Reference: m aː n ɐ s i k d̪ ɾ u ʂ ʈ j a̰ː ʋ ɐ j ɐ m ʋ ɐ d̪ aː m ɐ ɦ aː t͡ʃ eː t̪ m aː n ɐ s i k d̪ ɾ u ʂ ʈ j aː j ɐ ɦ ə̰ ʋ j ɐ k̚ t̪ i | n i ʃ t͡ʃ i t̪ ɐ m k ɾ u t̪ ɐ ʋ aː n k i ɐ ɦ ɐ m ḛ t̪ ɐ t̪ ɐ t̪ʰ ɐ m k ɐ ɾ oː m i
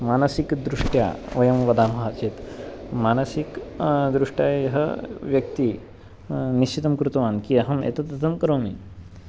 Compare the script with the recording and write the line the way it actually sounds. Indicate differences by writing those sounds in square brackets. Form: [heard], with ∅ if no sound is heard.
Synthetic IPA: m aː n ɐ s i k d̪ ɾ u ʂ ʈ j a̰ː ʋ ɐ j ɐ m ʋ ɐ d̪ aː m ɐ ɦ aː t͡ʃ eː t̪ m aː n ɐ s i k d̪ ɾ u ʂ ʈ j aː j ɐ ɦ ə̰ ʋ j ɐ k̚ t̪ i | n i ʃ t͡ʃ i t̪ ɐ m k ɾ u t̪ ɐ ʋ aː n k i ɐ ɦ ɐ m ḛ t̪ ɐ t̪ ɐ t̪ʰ ɐ m k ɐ ɾ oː m i